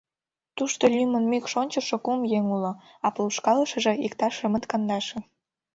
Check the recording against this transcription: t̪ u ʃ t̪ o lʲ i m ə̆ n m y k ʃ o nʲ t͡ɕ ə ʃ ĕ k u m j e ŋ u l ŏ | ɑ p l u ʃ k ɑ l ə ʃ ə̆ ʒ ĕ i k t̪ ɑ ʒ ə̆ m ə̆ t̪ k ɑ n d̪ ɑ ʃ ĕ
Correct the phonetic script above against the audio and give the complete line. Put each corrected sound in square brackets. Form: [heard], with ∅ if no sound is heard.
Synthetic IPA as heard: t̪ u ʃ t̪ o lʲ [y] m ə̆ n m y k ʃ o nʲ t͡ɕ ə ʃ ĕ k u m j e ŋ u l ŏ | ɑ p l u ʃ k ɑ l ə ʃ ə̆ ʒ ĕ i k t̪ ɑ [ʃ] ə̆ m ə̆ t̪ k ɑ n d̪ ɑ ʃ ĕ